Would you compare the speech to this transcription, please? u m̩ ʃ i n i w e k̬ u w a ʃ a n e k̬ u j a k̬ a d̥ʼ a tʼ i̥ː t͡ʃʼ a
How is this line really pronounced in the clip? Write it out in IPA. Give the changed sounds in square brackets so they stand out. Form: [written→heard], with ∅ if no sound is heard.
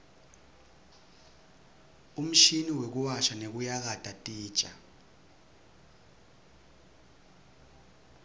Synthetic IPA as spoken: u m̩ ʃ i n i w e k̬ u w a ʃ a n e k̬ u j a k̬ a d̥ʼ a tʼ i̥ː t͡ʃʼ a